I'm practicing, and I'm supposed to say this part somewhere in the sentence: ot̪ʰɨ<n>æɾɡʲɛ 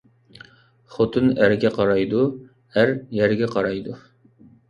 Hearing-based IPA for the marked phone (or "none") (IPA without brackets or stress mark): n